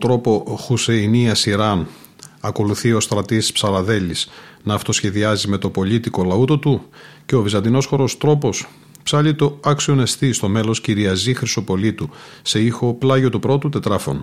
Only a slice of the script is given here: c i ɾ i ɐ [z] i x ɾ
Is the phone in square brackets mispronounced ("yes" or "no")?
no